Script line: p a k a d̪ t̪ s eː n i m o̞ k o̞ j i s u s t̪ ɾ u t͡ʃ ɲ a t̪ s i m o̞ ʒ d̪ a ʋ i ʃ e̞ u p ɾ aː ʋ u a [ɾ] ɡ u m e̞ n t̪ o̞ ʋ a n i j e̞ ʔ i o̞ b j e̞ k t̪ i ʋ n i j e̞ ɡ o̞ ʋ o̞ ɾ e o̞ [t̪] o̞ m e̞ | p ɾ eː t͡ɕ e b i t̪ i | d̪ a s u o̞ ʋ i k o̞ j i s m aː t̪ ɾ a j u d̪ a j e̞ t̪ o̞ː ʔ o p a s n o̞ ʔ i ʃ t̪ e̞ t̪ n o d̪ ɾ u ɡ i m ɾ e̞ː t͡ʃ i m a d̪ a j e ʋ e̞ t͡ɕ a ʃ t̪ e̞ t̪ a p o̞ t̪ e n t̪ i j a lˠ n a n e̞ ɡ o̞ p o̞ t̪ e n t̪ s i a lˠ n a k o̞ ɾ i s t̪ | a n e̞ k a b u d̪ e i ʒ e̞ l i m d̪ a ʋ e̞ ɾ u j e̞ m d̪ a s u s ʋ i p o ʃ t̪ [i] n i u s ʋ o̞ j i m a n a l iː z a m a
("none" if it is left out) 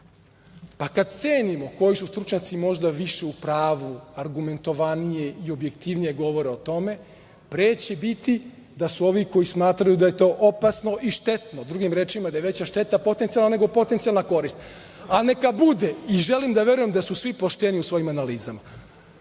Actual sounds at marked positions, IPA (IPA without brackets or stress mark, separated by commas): ɾ, t̪, e